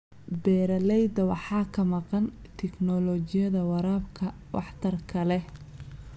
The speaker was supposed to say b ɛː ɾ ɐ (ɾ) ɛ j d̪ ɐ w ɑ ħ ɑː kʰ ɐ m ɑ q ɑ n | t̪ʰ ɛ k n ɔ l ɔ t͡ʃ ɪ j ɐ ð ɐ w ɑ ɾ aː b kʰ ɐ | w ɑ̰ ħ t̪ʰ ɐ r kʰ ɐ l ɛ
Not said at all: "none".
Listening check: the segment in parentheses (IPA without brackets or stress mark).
l